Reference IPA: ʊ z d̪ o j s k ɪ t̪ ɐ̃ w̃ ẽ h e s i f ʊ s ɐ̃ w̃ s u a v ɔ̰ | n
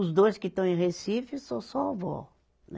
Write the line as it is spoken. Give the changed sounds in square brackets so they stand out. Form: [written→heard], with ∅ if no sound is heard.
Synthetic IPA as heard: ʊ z d̪ o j s k ɪ t̪ ɐ̃ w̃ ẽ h e s i f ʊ s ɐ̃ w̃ s [u→ɔ] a v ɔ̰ | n